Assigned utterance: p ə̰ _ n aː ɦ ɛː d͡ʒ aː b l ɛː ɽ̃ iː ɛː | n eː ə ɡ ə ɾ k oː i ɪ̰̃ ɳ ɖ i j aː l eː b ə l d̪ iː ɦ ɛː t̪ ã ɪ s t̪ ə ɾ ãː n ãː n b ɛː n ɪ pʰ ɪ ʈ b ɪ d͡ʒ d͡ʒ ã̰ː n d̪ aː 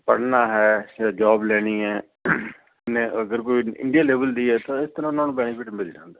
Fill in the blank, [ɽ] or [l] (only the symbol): ɽ